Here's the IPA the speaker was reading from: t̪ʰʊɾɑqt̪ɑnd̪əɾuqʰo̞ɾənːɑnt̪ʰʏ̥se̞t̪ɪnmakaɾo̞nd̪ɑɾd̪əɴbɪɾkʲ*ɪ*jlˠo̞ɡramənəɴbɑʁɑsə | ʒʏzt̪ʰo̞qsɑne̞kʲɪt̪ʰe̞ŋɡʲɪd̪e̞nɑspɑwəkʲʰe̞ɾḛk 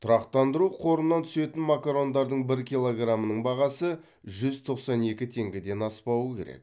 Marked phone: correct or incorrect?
incorrect